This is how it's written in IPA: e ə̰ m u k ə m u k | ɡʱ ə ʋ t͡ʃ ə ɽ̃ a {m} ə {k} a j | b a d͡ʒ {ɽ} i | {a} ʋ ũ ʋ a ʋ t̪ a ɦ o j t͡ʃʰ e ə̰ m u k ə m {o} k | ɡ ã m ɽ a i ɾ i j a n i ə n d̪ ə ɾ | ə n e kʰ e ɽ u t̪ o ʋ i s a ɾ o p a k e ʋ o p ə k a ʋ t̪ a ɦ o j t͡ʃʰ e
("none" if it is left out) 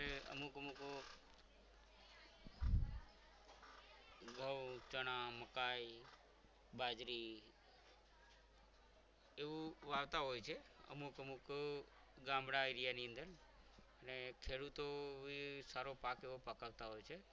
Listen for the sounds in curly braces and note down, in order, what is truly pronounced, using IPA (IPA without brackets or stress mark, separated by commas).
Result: m, k, ɾ, e, u